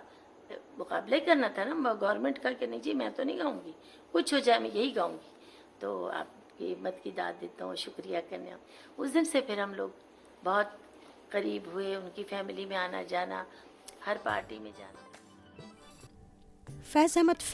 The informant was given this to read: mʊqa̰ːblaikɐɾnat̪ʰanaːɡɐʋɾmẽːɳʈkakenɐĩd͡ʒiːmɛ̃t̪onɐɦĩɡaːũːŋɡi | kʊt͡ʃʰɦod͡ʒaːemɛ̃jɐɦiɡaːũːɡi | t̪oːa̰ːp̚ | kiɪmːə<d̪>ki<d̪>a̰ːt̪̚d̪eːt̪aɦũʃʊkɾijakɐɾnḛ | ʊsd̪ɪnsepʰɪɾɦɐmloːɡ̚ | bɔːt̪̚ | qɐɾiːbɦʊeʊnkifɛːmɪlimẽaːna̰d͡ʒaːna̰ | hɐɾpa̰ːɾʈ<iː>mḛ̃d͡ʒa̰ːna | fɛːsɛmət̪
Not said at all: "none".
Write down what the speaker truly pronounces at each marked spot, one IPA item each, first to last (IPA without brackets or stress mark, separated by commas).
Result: t̪, d̪, i